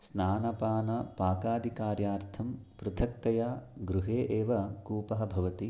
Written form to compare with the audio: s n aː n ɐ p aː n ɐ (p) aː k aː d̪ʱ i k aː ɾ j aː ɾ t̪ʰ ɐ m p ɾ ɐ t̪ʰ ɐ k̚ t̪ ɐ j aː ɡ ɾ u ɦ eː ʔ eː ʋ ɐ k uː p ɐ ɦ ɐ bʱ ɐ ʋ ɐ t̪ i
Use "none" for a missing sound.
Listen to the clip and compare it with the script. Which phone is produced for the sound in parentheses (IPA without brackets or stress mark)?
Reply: p